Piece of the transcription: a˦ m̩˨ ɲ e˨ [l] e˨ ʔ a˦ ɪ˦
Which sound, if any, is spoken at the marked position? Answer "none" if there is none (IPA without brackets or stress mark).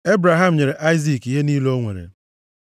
ɾ